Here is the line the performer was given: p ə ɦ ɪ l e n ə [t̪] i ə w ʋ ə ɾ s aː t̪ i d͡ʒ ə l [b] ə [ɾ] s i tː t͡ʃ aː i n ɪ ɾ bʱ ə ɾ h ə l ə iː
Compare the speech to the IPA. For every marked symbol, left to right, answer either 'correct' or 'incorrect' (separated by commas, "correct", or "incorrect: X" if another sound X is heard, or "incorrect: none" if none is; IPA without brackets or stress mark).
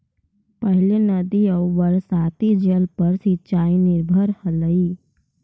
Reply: incorrect: d̪, incorrect: p, correct